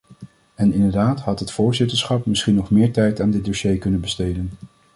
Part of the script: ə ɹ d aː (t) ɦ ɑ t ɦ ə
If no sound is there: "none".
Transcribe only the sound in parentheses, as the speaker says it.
t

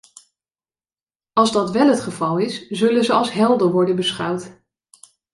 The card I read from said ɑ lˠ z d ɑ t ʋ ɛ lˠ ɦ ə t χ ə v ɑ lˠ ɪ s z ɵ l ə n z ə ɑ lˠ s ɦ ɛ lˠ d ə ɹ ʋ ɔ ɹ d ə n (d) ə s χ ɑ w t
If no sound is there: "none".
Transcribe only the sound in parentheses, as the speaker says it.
b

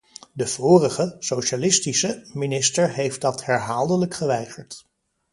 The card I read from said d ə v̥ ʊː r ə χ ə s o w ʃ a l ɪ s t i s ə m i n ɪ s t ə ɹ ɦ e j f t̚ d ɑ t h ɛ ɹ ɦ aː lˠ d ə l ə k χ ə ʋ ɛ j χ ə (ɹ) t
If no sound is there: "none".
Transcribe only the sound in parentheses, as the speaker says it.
ɹ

